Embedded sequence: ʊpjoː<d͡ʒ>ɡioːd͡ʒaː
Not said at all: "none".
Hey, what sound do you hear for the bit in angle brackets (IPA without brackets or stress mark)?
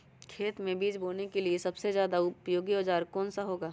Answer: none